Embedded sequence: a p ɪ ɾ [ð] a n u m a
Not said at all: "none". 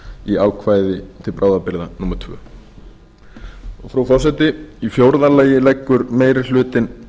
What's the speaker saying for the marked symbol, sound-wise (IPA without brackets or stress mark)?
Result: ð